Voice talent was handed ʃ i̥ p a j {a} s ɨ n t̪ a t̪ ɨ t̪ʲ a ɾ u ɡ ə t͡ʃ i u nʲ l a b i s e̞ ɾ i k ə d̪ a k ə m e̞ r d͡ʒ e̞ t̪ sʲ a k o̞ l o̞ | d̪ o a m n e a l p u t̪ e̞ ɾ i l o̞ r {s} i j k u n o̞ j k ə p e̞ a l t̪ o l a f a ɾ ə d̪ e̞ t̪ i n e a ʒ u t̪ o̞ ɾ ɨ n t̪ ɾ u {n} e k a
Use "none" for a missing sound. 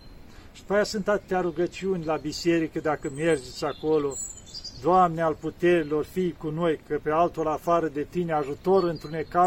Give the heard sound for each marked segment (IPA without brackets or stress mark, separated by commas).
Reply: a, f, n